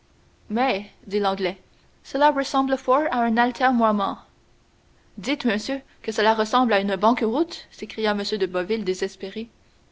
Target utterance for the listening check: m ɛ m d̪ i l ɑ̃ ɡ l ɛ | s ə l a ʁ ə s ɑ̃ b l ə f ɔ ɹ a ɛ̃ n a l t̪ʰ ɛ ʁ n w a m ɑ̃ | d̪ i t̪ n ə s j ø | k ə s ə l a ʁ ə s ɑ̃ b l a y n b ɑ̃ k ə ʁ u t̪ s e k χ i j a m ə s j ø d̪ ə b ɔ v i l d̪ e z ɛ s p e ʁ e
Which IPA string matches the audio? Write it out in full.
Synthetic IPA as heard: m ɛ d̪ i l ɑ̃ ɡ l ɛ | s ə l a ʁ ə s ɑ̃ b l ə f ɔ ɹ a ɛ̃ n a l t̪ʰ ɛ ʁ n w a m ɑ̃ | d̪ i t̪ m ə s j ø | k ə s ə l a ʁ ə s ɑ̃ b l a y n b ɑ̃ k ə ʁ u t̪ s e k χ i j a m ə s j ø d̪ ə b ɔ v i l d̪ e z ɛ s p e ʁ e